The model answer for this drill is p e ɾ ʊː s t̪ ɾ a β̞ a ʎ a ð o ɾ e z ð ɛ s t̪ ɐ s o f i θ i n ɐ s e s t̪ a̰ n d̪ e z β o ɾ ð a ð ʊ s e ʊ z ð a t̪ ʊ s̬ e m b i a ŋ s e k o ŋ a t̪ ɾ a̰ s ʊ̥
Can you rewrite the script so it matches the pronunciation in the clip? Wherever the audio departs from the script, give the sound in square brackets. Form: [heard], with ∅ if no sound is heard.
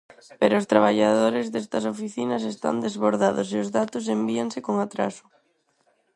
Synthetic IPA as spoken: p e ɾ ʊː s t̪ ɾ a β̞ a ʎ a ð o ɾ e z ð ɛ s t̪ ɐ s o f i θ i n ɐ s e s t̪ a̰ n d̪ e z β o ɾ ð a ð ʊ s e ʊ z ð a t̪ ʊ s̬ e m b i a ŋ s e k o ŋ a t̪ ɾ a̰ s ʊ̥